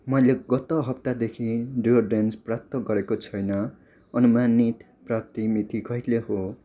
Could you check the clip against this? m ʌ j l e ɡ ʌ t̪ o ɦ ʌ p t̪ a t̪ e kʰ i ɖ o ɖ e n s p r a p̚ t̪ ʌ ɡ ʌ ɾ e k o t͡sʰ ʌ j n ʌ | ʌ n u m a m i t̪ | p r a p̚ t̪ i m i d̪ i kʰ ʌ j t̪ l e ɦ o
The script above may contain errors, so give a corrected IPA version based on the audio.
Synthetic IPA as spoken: m ʌ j l e ɡ ʌ t̪ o ɦ ʌ p t̪ a d̪ e kʰ i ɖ o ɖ e n s p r a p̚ t̪ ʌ ɡ ʌ ɾ e k o t͡sʰ ʌ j n ʌ | ʌ n u m a n i t̪ | p r a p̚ t̪ i m i t̪ i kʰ ʌ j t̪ l e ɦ o